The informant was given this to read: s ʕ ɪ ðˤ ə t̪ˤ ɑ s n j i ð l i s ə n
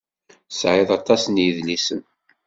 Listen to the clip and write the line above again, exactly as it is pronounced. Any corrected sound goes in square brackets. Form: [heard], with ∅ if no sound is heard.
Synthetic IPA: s ʕ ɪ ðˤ [ɑ] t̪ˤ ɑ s n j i ð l i s ə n

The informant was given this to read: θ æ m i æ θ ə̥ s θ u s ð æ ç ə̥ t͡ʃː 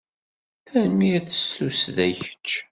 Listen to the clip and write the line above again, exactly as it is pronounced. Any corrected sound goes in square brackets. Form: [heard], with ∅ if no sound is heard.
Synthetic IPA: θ æ m i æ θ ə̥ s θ u s ð æ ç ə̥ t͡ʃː

